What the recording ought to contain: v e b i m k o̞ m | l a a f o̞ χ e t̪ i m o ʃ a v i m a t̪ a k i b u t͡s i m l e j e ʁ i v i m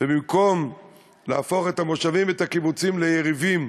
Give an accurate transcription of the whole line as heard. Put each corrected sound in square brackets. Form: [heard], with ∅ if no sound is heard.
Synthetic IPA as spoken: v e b i m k o̞ m | l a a f o̞ χ e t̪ [a] m o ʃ a v i m [e] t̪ a k i b u t͡s i m l e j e ʁ i v i m

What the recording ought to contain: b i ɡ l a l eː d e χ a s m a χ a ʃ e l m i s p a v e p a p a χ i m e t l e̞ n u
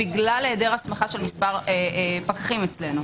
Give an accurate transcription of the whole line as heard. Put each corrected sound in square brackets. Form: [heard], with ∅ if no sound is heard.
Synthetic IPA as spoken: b i ɡ l a l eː d e [ʁ] a s m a χ a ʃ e l m i s p a [ʁ] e p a [k] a χ i m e [t͡s] l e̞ n u

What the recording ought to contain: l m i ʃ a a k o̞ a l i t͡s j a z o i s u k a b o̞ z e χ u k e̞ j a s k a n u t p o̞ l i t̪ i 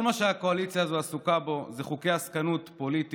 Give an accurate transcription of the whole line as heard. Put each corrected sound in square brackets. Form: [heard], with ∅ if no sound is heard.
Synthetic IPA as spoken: l m [a] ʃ [e] a k o̞ a l i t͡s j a z o [a] s u k a b o̞ z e χ u k e̞ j a s k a n u t p o̞ l i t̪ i

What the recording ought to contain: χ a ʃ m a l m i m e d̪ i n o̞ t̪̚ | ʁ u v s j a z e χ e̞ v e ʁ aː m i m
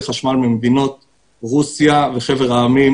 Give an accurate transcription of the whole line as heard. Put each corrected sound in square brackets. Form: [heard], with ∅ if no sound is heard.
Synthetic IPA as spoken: χ a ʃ m a l m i m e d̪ i n o̞ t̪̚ | ʁ u [∅] s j a [v] e χ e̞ v e ʁ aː m i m

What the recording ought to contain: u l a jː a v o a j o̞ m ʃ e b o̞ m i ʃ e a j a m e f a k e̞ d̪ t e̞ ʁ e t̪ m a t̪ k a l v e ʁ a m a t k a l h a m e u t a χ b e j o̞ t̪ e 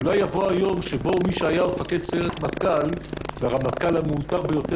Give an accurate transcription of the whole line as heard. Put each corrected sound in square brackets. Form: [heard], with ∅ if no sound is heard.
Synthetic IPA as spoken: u l a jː a v o a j o̞ m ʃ e b o̞ m i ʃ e a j a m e f a k e̞ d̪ [s] e̞ ʁ e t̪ m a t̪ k a l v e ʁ a m a t k a l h a m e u t a [ʁ] b e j o̞ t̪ e

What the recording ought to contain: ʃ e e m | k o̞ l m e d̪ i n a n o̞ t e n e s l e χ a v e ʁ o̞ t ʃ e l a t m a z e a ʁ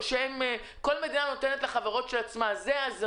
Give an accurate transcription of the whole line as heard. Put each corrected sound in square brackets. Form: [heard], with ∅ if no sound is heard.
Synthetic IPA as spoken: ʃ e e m | k o̞ l m e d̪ i n a n o̞ t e n e [t] l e χ a v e ʁ o̞ t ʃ e l a [t͡s] m a z e a [z]

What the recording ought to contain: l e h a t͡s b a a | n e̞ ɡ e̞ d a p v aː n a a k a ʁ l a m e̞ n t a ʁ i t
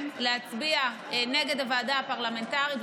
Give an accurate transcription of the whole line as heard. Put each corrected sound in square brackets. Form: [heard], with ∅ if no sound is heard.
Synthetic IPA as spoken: l e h a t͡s b [i] a | n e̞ ɡ e̞ d a [∅] v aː [d] a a [p] a ʁ l a m e̞ n t a ʁ i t

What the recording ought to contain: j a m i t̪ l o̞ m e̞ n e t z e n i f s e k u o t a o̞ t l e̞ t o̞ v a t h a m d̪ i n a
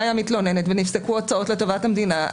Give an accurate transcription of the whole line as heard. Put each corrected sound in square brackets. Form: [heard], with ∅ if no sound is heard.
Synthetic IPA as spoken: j a m i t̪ l o̞ [n] e̞ n e t [v] e n i f s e k u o [t͡s] a o̞ t l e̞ t o̞ v a t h a m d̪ i n a

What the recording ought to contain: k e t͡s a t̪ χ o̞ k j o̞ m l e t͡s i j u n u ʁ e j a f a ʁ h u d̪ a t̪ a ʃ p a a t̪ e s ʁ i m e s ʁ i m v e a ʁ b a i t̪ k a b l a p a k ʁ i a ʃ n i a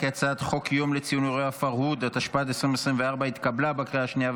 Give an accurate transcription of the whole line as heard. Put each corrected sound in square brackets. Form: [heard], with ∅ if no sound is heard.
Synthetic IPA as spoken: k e t͡s a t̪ χ o̞ k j o̞ m l e t͡s i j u n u ʁ e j a f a ʁ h u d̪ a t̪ a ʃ p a a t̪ e s ʁ i m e s ʁ i m v e a ʁ b a i t̪ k a b l a [b] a k ʁ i a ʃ n i a

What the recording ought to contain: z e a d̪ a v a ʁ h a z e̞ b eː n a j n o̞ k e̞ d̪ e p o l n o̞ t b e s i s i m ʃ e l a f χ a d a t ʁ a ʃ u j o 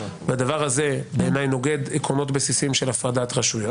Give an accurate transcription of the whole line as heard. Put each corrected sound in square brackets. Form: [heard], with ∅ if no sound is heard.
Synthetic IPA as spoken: [v] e a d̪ a v a ʁ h a z e̞ b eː n a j n o̞ [ɡ] e̞ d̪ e [k] o [∅] n o̞ t b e s i s i m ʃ e l a f [ʁ] a d a t ʁ a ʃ u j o

